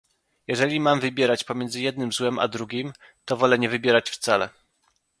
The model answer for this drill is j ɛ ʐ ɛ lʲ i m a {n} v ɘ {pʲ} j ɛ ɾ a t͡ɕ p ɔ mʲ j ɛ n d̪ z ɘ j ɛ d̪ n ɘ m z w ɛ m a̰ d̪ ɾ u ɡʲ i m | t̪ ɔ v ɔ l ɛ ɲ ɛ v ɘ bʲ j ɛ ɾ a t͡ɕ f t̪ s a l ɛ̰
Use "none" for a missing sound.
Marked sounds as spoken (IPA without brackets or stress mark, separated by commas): m, bʲ